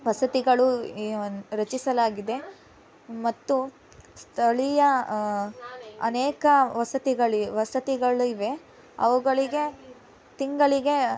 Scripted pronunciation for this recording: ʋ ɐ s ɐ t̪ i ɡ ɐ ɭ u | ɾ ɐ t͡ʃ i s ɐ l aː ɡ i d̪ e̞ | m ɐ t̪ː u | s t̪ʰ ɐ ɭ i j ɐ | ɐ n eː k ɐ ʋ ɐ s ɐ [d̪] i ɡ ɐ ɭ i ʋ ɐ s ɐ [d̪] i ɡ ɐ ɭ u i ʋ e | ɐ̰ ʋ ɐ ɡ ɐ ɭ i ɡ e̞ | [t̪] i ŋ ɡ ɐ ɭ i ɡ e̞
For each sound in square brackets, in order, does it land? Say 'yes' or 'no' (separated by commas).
no, no, yes